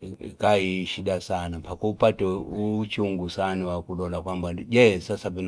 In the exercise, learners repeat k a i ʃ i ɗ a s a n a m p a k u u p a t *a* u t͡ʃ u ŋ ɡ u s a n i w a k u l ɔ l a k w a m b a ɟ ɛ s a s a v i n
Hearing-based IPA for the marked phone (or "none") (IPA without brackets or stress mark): ɛ